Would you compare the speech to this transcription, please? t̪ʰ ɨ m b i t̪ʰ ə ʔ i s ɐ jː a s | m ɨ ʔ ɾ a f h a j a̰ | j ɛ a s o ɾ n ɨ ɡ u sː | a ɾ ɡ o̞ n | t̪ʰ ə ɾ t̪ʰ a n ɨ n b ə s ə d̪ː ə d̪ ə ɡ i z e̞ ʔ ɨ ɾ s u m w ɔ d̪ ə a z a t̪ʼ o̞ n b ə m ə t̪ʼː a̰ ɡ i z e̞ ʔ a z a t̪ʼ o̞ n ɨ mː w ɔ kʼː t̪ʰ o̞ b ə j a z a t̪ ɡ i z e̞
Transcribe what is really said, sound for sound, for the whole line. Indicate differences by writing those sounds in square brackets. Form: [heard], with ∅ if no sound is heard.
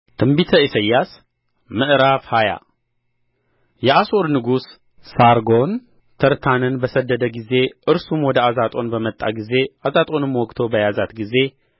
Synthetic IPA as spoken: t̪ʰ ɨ m b i t̪ʰ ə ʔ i s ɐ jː a s | m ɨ ʔ ɾ a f h a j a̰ | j ɛ a s o ɾ n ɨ ɡ u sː | a ɾ ɡ o̞ n | t̪ʰ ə ɾ t̪ʰ a n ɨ n b ə s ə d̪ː ə d̪ ə ɡ i z e̞ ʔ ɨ ɾ s u m w ɔ d̪ ə a z a t̪ʼ o̞ n b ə m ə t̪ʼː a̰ ɡ i z e̞ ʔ a z a t̪ʼ o̞ n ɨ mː w ɔ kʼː t̪ʰ o̞ b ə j a z a t̪ ɡ i z e̞